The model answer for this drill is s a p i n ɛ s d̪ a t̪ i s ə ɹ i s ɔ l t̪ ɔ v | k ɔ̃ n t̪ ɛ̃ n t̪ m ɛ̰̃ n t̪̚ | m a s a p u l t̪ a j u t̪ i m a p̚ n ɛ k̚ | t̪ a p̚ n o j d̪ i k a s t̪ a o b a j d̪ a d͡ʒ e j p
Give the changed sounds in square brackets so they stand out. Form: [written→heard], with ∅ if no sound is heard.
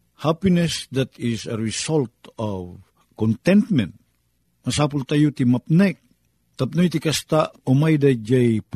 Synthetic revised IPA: [s→h] a p i n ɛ s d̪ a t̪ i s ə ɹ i s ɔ l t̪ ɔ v | k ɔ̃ n t̪ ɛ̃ n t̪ m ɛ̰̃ n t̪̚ | m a s a p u l t̪ a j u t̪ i m a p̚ n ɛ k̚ | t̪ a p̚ n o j [d̪→t̪] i k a s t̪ a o [b→m] a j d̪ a d͡ʒ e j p